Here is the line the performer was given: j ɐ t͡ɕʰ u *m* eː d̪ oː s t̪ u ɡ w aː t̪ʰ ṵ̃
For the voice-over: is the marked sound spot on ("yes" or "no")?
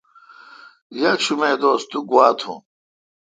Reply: yes